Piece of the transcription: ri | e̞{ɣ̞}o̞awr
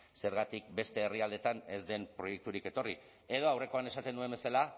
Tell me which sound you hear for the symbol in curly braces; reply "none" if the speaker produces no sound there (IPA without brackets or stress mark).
ð̞